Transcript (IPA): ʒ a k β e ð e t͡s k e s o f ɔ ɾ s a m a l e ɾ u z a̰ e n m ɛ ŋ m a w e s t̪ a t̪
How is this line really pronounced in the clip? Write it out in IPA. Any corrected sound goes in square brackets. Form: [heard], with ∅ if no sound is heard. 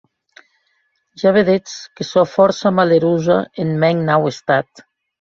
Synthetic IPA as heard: ʒ a [∅] β e ð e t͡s k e s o f ɔ ɾ s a m a l e ɾ u z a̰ e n m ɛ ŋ [n] a w e s t̪ a t̪